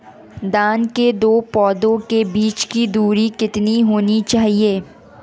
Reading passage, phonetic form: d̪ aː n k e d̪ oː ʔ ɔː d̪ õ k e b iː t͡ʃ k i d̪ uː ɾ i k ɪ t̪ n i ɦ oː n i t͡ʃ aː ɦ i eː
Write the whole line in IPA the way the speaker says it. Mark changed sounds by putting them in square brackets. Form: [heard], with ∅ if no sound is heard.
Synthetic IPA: d̪ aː n k e d̪ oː [p] ɔː d̪ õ k e b iː t͡ʃ k i d̪ uː ɾ i k ɪ t̪ n i ɦ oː n i t͡ʃ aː ɦ i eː

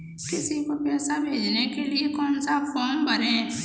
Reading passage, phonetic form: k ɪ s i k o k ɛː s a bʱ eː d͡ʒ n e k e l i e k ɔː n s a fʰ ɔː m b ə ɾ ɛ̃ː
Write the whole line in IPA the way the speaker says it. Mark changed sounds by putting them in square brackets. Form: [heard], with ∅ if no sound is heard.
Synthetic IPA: k ɪ s i k o [p] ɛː s a bʱ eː d͡ʒ n e k e l i e k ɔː n s a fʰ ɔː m b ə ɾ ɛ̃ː

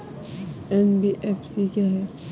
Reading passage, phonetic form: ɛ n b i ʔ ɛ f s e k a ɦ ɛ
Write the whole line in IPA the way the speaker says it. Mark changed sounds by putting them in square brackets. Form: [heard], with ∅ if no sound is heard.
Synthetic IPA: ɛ n b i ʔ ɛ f s [i] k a ɦ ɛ

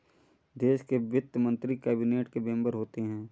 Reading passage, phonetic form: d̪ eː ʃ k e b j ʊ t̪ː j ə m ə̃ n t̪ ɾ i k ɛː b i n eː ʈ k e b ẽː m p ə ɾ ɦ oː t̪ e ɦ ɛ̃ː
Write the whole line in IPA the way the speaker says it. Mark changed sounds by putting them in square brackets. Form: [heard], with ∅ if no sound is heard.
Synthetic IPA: d̪ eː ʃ k e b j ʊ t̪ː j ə m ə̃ n t̪ ɾ i k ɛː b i n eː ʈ k e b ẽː m [b] ə ɾ ɦ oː t̪ e ɦ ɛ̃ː

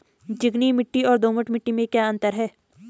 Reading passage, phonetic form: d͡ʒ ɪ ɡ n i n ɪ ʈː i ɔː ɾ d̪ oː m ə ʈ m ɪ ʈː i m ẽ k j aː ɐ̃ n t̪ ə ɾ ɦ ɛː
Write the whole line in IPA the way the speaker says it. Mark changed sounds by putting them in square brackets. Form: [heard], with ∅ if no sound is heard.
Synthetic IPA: d͡ʒ ɪ ɡ n i [m] ɪ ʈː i ɔː ɾ d̪ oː m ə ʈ m ɪ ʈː i m ẽ k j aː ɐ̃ n t̪ ə ɾ ɦ ɛː

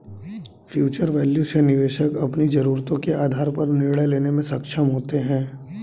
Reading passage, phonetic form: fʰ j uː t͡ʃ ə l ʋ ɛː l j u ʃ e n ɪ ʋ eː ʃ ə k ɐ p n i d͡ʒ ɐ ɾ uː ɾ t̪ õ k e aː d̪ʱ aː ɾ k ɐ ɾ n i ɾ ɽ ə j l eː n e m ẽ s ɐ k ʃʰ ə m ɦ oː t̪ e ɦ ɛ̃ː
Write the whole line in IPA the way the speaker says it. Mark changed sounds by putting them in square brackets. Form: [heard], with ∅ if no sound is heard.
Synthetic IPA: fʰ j uː t͡ʃ ə [ɾ] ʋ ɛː l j u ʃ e n ɪ ʋ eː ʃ ə k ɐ p n i d͡ʒ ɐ ɾ uː ɾ t̪ õ k e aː d̪ʱ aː ɾ [p] ɐ ɾ n [ɪ] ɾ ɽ ə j l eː n e m ẽ s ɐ k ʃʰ ə m ɦ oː t̪ e ɦ ɛ̃ː

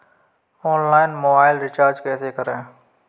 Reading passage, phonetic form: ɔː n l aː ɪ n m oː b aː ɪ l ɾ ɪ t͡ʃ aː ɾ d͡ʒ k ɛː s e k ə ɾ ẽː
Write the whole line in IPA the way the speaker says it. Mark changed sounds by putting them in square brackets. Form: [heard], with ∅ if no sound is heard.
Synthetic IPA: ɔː n l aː ɪ n m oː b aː ɪ l ɾ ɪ t͡ʃ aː ɾ d͡ʒ k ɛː s e k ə ɾ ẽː

